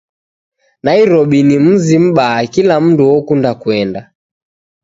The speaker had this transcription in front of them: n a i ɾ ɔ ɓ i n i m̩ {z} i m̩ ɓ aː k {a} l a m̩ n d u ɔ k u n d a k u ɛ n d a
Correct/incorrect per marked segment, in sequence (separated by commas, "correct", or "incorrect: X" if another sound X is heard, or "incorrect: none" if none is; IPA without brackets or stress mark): correct, incorrect: i